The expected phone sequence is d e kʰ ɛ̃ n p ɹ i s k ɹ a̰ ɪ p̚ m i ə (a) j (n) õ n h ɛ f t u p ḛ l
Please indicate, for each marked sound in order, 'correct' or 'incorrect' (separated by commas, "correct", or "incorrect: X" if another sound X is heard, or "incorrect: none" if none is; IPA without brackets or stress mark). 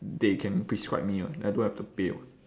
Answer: correct, incorrect: d